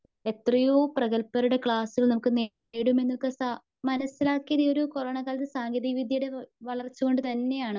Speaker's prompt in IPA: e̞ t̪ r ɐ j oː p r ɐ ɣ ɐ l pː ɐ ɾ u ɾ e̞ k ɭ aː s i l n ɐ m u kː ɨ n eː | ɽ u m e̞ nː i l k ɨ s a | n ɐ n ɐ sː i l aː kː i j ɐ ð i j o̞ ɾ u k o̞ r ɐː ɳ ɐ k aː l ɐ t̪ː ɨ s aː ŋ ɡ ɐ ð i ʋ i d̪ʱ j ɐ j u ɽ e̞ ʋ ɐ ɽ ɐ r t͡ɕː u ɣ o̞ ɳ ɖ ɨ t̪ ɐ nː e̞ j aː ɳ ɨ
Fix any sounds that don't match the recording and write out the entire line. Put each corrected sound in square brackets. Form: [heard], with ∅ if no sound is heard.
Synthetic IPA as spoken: e̞ t̪ r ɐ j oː p r ɐ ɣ ɐ l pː ɐ ɾ u [ɽ] e̞ k ɭ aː s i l n ɐ m u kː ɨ n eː | ɽ u m e̞ nː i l k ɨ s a | [m] ɐ n ɐ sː i l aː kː i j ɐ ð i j o̞ ɾ u k o̞ r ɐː ɳ ɐ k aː l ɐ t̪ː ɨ s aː ŋ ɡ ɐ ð i ʋ i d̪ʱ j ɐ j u ɽ e̞ ʋ ɐ [ɭ] ɐ r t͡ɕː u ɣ o̞ ɳ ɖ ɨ t̪ ɐ nː e̞ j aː ɳ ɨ